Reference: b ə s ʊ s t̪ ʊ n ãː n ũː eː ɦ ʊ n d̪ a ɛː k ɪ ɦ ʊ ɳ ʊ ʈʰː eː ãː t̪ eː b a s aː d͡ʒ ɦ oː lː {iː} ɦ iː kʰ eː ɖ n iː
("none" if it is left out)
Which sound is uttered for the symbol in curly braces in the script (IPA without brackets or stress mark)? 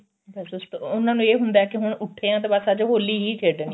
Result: iː